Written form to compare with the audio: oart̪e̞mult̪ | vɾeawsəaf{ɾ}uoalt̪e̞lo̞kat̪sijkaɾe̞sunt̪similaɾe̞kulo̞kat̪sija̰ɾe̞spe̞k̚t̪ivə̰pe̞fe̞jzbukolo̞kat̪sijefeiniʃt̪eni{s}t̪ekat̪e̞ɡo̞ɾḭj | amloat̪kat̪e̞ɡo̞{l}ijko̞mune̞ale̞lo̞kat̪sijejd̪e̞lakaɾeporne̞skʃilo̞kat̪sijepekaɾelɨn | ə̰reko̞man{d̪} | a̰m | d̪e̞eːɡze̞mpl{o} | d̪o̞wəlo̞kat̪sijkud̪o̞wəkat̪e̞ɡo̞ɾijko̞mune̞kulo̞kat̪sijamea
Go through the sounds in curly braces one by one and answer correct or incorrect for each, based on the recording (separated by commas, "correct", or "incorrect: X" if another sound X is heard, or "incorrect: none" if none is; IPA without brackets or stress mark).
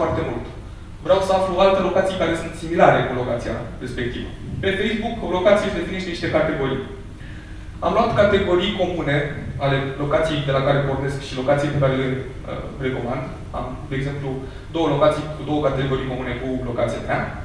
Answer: incorrect: l, incorrect: ʃ, incorrect: ɾ, correct, incorrect: u